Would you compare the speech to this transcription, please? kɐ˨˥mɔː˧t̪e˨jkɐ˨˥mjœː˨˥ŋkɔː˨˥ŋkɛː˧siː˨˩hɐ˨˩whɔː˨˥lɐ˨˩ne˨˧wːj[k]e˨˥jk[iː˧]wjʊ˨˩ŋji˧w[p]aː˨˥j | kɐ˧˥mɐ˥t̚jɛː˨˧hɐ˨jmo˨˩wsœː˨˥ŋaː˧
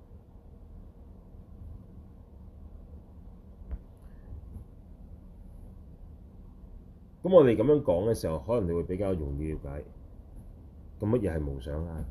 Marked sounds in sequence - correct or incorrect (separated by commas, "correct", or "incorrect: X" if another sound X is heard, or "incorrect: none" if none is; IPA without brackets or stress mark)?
incorrect: p, incorrect: aː˧, incorrect: k